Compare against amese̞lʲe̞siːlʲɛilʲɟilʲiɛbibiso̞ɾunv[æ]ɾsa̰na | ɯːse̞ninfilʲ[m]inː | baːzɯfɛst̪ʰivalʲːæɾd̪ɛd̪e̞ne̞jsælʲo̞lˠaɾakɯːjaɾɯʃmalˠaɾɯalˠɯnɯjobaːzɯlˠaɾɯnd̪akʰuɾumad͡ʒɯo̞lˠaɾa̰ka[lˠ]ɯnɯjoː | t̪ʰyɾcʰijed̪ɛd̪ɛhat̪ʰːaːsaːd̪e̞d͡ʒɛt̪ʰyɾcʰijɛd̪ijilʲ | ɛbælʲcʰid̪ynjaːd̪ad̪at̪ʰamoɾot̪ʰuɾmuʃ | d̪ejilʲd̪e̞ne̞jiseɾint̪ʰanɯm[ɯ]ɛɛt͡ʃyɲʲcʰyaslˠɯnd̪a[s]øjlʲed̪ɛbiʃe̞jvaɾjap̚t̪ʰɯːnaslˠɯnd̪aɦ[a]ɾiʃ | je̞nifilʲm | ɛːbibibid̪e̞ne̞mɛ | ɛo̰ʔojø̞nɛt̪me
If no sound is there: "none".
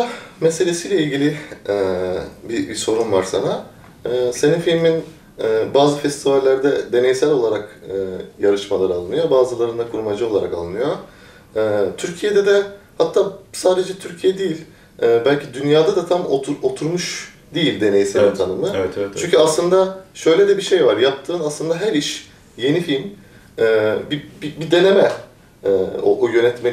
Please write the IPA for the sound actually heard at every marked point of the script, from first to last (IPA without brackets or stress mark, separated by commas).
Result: a, m, lˠ, ɯ, ʃ, æ